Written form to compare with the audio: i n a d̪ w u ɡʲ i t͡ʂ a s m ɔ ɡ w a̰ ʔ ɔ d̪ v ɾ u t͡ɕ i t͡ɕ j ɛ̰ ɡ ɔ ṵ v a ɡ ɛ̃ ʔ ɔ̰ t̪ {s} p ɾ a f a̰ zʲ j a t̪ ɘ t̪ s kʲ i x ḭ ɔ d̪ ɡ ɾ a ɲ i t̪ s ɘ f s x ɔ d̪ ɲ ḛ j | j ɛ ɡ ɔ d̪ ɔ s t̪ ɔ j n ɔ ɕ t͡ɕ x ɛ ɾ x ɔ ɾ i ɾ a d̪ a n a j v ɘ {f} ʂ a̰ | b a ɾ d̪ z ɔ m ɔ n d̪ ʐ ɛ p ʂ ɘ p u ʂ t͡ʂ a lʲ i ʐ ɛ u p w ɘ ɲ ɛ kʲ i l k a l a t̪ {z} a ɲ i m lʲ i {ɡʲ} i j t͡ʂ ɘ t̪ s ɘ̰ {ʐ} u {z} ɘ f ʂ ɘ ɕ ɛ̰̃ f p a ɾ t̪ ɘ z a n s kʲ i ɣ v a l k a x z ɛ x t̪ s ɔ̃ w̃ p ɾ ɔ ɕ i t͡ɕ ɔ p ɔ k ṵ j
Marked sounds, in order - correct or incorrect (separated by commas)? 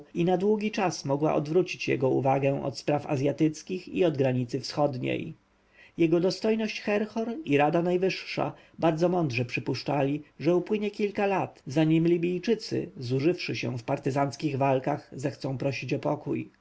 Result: correct, incorrect, correct, incorrect, incorrect, incorrect